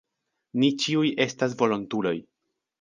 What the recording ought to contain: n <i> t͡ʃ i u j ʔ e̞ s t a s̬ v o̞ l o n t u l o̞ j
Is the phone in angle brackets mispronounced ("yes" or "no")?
no